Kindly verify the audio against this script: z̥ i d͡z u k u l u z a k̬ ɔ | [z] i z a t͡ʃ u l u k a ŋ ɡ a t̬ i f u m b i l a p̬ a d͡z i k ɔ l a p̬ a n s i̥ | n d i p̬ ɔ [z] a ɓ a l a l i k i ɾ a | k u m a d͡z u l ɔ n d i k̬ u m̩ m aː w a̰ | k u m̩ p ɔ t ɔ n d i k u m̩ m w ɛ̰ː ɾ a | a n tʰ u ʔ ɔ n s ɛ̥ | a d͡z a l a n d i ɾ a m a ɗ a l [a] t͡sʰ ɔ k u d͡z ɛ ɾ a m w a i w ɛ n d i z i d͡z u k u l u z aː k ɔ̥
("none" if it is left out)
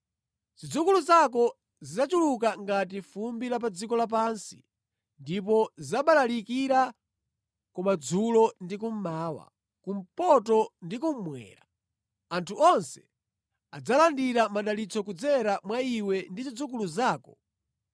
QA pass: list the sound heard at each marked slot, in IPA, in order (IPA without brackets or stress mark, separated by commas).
z, z, i